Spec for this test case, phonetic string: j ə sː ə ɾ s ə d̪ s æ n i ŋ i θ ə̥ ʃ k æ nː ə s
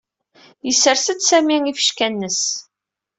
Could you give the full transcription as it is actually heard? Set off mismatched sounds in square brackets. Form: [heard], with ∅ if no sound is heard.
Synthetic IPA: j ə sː ə ɾ s ə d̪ s æ [m] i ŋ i [f] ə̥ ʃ k æ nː ə s